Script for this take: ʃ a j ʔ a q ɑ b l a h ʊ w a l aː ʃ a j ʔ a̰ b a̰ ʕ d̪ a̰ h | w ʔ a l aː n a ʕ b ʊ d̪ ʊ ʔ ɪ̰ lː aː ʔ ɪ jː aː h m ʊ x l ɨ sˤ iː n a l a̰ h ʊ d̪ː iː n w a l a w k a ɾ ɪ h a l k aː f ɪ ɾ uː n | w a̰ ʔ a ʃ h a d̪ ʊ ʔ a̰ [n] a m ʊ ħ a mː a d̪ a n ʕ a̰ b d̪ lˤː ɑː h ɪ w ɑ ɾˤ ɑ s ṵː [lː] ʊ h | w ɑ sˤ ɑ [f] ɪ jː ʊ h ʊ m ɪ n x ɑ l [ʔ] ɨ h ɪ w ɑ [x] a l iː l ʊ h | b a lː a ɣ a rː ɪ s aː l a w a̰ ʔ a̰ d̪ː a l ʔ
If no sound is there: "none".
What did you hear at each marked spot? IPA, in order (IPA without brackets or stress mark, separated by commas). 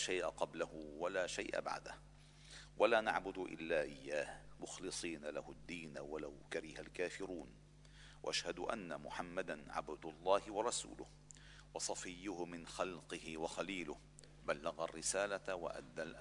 nː, l, f, q, x